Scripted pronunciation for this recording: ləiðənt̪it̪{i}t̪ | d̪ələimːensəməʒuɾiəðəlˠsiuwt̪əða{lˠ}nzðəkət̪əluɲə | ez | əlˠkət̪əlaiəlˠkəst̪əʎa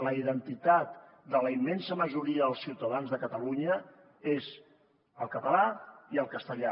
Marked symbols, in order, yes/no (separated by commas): no, no